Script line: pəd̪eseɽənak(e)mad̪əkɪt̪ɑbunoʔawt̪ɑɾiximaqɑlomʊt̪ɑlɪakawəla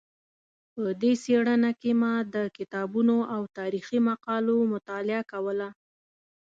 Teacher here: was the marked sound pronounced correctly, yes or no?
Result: yes